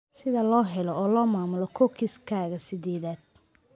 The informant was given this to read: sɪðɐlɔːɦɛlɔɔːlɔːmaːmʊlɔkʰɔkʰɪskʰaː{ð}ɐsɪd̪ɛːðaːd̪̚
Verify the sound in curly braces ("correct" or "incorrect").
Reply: incorrect